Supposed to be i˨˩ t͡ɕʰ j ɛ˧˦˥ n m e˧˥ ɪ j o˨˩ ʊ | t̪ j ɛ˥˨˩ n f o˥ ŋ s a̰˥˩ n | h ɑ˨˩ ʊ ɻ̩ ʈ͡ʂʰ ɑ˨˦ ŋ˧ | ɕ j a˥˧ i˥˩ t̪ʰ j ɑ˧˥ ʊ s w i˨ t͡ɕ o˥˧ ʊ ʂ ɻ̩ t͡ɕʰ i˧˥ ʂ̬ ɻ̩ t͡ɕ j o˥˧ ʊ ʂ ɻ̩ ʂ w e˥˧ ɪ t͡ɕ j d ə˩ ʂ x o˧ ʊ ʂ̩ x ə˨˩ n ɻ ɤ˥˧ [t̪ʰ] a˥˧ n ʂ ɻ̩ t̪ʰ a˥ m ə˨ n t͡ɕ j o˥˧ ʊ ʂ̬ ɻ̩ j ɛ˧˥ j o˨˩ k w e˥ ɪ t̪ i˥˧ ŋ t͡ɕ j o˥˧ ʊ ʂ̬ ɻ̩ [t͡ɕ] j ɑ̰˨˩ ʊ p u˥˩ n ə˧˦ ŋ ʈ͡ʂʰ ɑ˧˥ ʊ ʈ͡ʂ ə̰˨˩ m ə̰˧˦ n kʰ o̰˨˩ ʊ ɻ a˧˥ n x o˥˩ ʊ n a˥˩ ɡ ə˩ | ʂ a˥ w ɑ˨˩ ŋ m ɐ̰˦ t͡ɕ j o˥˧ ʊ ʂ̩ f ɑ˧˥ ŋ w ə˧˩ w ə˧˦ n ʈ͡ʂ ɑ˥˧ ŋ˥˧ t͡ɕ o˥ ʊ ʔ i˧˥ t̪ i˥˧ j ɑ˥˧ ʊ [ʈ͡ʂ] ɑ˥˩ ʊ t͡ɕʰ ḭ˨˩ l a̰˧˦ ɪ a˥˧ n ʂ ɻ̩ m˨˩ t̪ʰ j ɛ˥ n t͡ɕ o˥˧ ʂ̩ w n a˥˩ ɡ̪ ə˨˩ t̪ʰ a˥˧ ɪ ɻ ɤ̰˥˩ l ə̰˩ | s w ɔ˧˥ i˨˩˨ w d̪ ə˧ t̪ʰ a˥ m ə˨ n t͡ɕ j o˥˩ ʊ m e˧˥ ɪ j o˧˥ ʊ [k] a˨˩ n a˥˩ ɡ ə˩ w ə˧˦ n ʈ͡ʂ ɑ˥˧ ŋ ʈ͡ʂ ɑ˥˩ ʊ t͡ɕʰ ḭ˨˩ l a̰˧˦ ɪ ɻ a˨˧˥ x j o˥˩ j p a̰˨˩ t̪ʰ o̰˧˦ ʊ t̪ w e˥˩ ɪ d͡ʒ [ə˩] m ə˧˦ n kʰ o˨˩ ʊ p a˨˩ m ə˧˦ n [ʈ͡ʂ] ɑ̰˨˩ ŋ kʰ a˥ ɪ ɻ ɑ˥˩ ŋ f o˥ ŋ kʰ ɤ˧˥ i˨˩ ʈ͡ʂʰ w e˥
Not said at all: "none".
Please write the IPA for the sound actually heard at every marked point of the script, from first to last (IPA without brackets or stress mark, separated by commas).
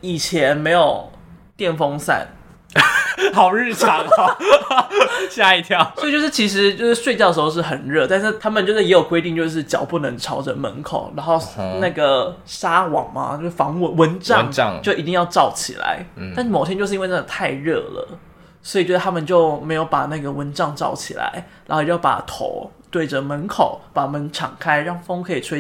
t̪, t͡ɕ, ʈ͡ʂ, p, ə˩, ʈ͡ʂʰ